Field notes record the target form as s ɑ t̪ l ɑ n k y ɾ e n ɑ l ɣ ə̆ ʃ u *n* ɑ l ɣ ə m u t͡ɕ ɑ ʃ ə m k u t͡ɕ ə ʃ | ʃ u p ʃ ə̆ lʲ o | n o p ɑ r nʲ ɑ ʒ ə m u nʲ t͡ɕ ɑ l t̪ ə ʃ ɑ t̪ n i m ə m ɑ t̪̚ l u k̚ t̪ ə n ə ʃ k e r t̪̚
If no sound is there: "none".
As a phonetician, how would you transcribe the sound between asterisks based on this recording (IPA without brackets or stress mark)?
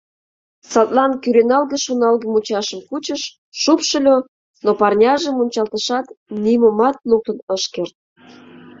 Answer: n